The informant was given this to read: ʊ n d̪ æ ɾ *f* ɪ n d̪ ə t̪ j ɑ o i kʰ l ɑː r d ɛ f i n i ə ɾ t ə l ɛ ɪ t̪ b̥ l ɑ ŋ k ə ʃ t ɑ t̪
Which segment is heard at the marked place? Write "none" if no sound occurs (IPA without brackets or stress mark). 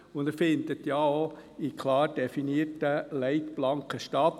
f